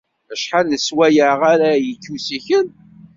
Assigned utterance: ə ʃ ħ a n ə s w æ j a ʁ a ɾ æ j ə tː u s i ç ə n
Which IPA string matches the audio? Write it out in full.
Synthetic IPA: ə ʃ ħ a n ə s w æ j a ʁ a ɾ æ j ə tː u s i ç ə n